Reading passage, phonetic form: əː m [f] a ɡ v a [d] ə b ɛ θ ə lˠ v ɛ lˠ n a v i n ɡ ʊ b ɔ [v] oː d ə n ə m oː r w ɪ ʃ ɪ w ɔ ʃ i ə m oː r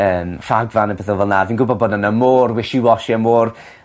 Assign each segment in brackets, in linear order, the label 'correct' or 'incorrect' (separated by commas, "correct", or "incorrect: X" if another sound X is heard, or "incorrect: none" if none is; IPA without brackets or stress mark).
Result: correct, incorrect: n, incorrect: b